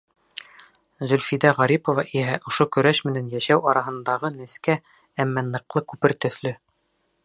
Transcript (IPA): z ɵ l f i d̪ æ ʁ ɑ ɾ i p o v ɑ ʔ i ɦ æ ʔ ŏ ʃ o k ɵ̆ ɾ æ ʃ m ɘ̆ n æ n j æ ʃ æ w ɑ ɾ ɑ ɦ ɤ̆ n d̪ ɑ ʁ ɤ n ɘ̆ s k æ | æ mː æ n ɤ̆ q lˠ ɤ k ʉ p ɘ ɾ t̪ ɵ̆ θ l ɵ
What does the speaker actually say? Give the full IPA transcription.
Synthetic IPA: z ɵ l f i d̪ æ ʁ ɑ ɾ i p o v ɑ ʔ i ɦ æ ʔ ŏ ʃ o k ɵ̆ ɾ æ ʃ m ɘ̆ n æ n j æ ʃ æ w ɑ ɾ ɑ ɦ ɤ̆ n d̪ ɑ ʁ ɤ n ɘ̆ s k æ | æ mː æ n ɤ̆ q lˠ ɤ k ʉ p ɘ ɾ t̪ ɵ̆ θ l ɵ